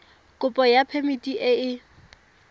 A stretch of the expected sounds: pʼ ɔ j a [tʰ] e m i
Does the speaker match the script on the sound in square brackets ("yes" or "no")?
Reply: no